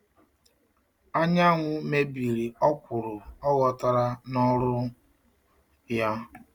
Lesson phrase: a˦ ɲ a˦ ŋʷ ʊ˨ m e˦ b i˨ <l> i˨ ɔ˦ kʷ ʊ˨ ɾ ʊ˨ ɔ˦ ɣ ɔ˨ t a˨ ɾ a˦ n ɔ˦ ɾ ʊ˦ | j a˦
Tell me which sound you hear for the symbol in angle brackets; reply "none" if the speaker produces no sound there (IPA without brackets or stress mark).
ɾ